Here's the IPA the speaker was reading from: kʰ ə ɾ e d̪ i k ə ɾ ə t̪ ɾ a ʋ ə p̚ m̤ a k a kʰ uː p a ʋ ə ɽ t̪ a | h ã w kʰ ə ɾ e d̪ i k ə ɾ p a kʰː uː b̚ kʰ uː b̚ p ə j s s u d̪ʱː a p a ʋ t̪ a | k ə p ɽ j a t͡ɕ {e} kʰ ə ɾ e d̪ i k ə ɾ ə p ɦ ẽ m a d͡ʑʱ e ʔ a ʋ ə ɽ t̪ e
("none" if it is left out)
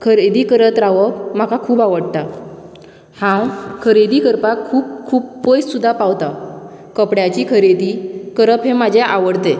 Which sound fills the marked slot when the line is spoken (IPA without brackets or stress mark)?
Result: i